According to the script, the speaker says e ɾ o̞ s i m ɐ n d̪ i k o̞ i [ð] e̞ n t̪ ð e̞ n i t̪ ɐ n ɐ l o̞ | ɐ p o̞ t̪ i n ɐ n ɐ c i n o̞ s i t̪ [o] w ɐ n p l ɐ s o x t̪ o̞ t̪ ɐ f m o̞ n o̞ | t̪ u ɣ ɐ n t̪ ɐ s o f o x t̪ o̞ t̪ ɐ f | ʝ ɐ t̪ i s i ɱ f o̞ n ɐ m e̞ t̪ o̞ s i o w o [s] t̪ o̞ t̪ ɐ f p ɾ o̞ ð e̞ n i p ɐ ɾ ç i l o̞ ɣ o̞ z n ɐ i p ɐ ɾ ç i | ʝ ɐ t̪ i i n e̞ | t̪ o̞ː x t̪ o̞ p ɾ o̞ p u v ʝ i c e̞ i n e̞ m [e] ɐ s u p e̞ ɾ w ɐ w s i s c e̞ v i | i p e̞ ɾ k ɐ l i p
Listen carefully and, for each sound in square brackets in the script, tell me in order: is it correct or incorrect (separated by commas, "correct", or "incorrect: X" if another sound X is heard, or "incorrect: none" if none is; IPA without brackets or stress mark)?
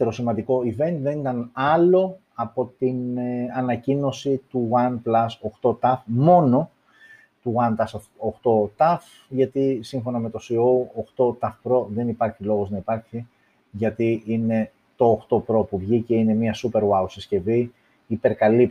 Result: incorrect: v, incorrect: u, incorrect: x, incorrect: i